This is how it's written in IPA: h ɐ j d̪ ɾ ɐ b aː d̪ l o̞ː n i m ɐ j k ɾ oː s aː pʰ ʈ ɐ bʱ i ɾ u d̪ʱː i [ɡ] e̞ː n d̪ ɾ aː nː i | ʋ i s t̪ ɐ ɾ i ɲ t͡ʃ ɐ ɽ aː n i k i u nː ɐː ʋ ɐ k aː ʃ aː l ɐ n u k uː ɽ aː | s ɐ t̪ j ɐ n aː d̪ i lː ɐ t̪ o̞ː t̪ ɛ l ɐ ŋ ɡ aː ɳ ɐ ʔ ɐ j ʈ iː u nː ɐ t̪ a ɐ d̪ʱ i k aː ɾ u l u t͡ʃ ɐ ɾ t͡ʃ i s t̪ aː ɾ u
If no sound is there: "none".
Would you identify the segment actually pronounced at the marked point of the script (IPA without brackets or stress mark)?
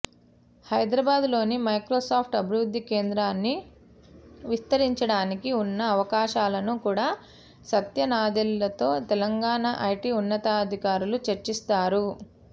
k